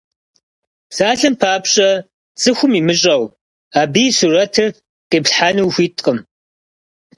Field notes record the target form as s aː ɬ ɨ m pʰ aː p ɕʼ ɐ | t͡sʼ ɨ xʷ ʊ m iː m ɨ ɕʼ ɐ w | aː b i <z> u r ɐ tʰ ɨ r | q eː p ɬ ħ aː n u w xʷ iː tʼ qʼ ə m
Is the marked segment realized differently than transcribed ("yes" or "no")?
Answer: yes